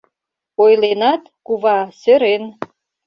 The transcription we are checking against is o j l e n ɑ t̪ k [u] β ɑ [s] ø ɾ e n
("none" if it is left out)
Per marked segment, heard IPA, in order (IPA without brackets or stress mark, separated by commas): u, s